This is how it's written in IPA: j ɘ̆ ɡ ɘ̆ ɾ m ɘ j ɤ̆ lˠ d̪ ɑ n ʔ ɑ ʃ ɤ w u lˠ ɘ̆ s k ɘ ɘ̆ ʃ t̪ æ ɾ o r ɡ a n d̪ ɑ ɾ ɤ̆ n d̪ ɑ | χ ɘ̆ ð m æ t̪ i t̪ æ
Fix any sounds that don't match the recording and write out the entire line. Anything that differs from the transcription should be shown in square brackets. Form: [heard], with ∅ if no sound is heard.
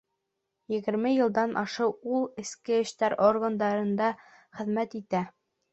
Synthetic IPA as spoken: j ɘ̆ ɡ ɘ̆ ɾ m ɘ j ɤ̆ lˠ d̪ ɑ n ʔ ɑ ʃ ɤ w u lˠ ɘ̆ s k ɘ ɘ̆ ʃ t̪ æ ɾ o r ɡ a n d̪ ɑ ɾ ɤ̆ n d̪ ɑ | χ ɘ̆ ð m æ t̪ i t̪ æ